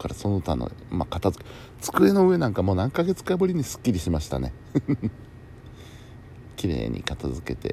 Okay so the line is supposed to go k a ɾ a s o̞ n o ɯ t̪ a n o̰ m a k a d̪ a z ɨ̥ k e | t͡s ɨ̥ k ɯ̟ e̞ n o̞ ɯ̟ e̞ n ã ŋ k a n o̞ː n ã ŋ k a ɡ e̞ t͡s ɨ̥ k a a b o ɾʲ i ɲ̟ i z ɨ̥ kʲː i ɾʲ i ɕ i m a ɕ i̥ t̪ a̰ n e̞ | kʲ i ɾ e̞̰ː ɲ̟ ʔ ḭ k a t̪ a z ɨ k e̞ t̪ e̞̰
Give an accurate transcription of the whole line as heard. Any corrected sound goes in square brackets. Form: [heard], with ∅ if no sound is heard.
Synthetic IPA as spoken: k a ɾ a s o̞ n o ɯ t̪ a n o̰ m a k a [t̪] a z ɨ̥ k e | t͡s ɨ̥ k ɯ̟ e̞ n o̞ ɯ̟ e̞ n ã ŋ k a [m] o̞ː n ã ŋ k a ɡ e̞ t͡s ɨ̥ k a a b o ɾʲ i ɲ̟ i [s] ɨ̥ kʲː i ɾʲ i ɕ i m a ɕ i̥ t̪ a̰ n e̞ | kʲ i ɾ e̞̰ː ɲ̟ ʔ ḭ k a t̪ a z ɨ k e̞ t̪ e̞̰